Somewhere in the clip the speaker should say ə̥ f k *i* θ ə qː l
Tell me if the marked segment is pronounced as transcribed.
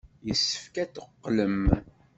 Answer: no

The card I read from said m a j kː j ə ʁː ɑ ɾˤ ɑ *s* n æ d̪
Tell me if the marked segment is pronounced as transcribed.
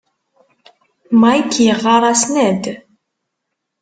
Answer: yes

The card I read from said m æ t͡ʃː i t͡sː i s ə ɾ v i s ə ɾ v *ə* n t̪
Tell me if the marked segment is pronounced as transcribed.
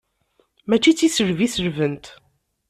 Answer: yes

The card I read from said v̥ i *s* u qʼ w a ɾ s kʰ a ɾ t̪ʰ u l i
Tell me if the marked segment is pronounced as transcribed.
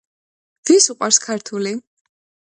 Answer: yes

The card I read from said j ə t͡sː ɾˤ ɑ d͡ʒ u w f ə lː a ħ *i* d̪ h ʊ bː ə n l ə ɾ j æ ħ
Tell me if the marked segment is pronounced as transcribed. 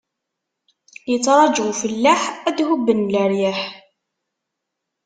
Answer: no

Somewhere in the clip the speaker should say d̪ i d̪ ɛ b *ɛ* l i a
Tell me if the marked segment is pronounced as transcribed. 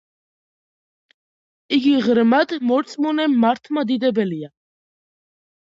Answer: yes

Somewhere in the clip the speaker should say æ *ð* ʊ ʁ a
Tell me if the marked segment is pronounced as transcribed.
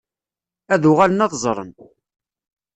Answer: yes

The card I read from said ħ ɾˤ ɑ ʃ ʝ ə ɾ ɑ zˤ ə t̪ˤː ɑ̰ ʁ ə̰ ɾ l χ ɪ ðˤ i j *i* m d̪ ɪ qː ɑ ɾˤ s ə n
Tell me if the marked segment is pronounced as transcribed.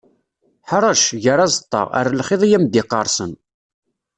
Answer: no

